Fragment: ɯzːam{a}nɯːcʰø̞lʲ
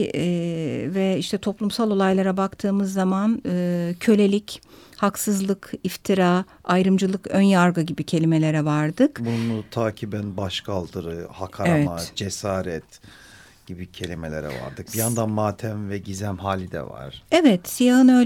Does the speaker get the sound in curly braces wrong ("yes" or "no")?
no